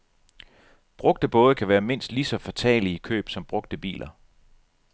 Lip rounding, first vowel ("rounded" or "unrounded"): rounded